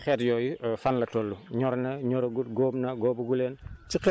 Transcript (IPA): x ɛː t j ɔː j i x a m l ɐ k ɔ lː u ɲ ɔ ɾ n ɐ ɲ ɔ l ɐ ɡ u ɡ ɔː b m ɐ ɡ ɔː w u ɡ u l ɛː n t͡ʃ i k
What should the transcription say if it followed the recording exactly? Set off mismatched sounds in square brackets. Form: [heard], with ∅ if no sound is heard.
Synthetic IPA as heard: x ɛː t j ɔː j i [f] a [n] l ɐ [t] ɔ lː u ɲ ɔ ɾ n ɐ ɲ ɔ [ɾ] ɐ ɡ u ɡ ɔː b [n] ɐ ɡ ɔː [b] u ɡ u l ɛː n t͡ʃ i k